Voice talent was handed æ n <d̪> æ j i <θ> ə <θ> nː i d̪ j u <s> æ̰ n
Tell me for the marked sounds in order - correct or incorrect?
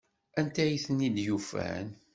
incorrect: t̪, correct, incorrect: none, incorrect: f

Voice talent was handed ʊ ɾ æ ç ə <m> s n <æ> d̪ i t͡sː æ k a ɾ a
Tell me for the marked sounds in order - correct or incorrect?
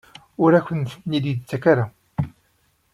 incorrect: n, incorrect: i

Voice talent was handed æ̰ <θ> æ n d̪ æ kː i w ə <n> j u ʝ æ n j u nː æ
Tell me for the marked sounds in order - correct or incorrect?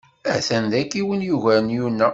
correct, correct

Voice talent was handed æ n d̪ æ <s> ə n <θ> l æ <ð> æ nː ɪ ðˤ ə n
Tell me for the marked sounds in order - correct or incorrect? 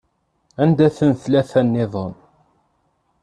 incorrect: θ, correct, incorrect: θ

